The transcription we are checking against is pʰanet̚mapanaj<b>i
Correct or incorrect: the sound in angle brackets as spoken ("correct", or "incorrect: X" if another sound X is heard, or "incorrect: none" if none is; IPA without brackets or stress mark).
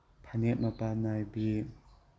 correct